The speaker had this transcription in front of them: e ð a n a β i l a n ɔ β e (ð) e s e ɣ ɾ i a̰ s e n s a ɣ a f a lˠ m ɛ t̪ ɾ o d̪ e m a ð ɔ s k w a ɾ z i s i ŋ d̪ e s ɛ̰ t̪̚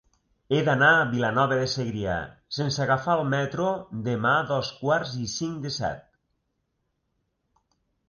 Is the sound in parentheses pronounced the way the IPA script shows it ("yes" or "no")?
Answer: yes